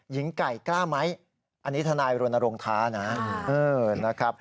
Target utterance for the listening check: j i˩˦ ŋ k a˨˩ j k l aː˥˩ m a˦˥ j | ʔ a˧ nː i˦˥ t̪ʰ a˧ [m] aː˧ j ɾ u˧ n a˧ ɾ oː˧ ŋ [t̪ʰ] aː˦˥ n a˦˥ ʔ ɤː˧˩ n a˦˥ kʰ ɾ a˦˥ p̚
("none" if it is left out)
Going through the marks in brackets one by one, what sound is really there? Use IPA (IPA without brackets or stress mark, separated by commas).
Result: n, t̪ʰ